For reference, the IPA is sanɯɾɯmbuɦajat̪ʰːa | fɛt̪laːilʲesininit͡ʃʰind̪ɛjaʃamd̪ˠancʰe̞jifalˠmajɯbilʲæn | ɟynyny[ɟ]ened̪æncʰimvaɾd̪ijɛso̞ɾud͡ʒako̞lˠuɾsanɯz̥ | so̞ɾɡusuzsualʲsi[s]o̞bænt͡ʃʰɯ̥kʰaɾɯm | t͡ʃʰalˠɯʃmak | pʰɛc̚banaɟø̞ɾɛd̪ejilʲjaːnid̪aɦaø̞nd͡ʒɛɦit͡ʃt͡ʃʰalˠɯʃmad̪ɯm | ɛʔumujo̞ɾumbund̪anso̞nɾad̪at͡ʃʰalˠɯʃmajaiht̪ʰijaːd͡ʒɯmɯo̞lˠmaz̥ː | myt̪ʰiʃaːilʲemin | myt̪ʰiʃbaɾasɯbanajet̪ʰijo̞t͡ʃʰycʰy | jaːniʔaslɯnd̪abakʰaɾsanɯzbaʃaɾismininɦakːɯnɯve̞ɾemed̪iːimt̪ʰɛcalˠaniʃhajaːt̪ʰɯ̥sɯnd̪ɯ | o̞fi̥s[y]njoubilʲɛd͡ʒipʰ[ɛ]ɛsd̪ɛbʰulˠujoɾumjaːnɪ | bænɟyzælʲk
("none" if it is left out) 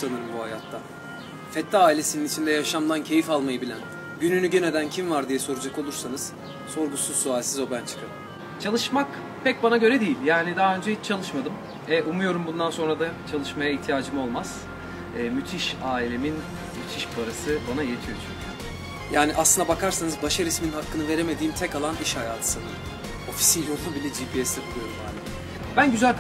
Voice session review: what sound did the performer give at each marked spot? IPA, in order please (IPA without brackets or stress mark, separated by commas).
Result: ɟ, z, i, i